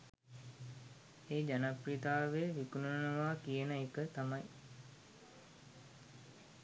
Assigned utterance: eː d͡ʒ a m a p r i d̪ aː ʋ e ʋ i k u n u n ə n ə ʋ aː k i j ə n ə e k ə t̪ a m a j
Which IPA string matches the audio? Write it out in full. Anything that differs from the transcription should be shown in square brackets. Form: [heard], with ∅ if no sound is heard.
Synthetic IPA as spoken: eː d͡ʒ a [n] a p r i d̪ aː ʋ e ʋ i k u n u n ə n ə ʋ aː k i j ə n ə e k ə t̪ a m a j